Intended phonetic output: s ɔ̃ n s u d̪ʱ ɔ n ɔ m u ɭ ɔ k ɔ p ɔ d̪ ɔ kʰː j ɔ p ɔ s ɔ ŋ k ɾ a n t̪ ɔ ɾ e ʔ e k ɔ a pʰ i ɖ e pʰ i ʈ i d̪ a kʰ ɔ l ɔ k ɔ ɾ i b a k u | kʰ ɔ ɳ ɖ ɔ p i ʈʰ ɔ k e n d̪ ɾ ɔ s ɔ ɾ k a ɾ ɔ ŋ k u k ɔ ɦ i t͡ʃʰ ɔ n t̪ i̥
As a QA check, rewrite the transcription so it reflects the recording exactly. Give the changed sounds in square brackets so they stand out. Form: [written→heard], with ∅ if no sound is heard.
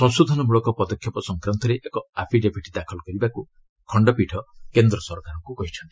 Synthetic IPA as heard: s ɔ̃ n s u d̪ʱ ɔ n ɔ m u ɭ ɔ k ɔ p ɔ d̪ ɔ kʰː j ɔ p ɔ s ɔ ŋ k ɾ a n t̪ ɔ ɾ e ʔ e k ɔ a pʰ i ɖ e pʰ i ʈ i d̪ a kʰ ɔ l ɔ k ɔ ɾ i b a k u | kʰ ɔ ɳ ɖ ɔ p i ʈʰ ɔ k e n d̪ ɾ ɔ s ɔ ɾ k a ɾ ɔ ŋ k u k ɔ ɦ i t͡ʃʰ ɔ n t̪ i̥